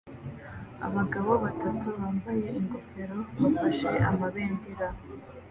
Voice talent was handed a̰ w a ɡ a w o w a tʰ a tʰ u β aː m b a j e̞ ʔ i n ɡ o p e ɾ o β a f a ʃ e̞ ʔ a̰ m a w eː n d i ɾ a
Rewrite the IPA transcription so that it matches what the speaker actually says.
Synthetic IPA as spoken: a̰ β a ɡ a β o β a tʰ a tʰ u β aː m b a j e̞ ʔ i ŋ ɡ o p e ɾ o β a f a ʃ e̞ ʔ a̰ m a β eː n d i ɾ a